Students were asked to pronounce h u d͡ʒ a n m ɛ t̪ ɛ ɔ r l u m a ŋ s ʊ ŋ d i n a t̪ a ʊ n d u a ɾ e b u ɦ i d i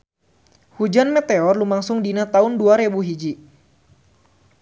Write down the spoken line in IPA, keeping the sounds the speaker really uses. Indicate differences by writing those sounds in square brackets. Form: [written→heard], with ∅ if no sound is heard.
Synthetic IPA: h u d͡ʒ a n m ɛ t̪ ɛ ɔ r l u m a ŋ s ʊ ŋ d i n a t̪ a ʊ n d u a ɾ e b u ɦ i [d→d͡ʒ] i